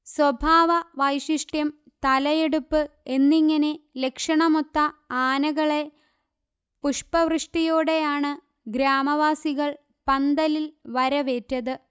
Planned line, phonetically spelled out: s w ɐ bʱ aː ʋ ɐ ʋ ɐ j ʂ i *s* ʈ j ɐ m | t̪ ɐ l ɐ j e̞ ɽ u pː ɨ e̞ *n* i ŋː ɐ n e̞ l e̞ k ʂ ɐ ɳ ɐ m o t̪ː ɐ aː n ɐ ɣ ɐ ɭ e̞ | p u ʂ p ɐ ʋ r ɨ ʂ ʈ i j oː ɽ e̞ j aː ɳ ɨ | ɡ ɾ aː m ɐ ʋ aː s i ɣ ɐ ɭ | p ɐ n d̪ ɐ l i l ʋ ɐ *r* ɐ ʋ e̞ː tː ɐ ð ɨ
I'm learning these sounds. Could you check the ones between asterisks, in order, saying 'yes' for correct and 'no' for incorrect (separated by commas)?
no, no, no